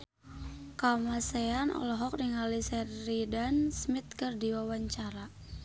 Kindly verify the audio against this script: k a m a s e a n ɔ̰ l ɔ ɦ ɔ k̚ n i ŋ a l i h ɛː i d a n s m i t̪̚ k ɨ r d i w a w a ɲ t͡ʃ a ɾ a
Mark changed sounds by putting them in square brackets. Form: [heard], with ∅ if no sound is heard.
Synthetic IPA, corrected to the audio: k a m a s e a n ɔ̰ l ɔ ɦ ɔ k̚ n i ŋ a l i [s] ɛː i d a n s m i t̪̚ k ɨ r d i w a w a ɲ t͡ʃ a ɾ a